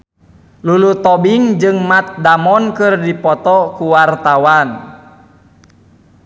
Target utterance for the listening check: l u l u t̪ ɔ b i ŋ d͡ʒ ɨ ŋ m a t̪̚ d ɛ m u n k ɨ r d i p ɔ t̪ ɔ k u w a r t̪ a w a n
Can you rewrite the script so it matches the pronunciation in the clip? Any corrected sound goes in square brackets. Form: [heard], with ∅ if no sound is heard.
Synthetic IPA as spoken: l u l u t̪ ɔ b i ŋ d͡ʒ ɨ ŋ m a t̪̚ d [a] m [ɔ] n k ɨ r d i p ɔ t̪ ɔ k u w a r t̪ a w a n